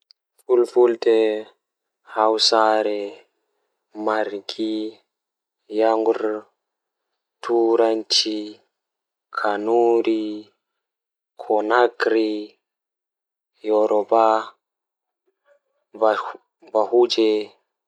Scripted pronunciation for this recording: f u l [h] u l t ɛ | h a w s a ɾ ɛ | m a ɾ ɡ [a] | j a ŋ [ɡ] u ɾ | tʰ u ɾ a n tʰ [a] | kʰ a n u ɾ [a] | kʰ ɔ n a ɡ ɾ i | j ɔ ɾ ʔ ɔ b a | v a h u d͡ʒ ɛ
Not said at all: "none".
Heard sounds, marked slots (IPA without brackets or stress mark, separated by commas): f, i, ɡ, i, i